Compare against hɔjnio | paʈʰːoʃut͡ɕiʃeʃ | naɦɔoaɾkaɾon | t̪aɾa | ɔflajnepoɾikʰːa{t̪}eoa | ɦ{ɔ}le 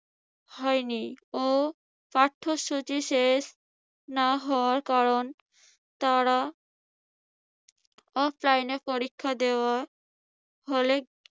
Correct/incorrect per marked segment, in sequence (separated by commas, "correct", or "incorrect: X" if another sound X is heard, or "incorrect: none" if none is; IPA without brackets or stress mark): incorrect: d̪, incorrect: o